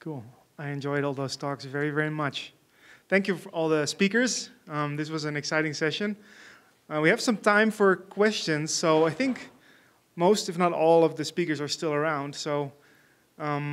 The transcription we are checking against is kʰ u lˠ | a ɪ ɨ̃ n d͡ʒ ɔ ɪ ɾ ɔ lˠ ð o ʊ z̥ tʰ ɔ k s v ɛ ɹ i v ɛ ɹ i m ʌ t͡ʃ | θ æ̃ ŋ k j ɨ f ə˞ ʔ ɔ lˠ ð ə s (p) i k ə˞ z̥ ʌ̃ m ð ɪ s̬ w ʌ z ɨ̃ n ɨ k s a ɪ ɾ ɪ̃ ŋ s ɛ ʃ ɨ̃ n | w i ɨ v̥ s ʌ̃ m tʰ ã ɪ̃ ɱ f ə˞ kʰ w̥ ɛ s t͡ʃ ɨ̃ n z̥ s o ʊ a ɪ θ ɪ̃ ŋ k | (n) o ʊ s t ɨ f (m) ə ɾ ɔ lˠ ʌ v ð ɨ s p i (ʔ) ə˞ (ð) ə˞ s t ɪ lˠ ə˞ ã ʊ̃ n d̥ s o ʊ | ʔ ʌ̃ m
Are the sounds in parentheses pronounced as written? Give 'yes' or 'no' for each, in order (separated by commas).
yes, no, no, no, no